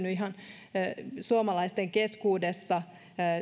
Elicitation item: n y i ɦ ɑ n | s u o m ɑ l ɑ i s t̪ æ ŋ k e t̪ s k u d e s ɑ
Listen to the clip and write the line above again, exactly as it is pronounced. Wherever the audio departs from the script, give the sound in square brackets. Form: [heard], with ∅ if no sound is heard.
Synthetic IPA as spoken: n y i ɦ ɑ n | s u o m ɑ l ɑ i s t̪ [e] ŋ k e [∅] s k [uː] d e [sː] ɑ